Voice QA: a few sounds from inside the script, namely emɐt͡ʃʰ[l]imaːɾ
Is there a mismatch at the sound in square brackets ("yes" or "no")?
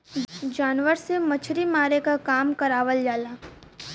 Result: yes